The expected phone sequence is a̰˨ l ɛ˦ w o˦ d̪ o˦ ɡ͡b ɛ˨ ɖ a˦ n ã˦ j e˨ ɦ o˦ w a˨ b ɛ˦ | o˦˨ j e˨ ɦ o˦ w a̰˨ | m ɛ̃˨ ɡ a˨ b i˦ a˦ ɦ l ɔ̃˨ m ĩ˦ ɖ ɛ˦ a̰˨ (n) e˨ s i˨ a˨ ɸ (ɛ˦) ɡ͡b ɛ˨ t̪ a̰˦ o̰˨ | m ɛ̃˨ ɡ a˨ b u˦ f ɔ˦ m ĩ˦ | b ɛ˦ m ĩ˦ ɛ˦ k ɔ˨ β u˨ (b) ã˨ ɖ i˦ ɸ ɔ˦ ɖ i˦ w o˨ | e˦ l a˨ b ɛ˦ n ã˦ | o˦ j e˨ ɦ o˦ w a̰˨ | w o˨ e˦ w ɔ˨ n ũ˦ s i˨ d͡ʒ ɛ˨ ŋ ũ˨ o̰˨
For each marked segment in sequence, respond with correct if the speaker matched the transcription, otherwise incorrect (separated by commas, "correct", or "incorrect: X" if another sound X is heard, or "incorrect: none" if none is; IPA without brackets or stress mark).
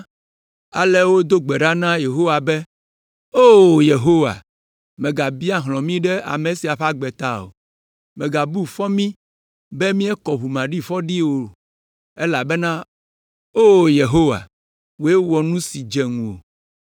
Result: incorrect: m, incorrect: a˦, incorrect: m